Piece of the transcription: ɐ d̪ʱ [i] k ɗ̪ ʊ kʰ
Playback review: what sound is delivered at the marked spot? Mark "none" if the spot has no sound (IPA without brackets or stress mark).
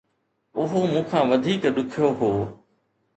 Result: iː